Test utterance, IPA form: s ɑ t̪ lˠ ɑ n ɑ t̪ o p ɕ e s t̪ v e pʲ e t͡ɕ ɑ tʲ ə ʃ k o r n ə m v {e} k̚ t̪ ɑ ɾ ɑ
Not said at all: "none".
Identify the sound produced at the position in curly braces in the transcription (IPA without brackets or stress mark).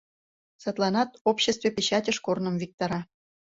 i